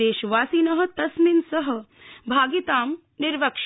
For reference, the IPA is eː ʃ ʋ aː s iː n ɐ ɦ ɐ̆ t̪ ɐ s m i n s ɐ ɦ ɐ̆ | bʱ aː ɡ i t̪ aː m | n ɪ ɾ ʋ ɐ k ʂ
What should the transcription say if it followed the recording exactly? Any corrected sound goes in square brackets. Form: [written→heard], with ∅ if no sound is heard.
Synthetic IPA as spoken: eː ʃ ʋ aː s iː n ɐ ɦ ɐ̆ t̪ ɐ s m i n s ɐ ɦ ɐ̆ | bʱ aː ɡ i t̪ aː m | n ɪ ɾ ʋ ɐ k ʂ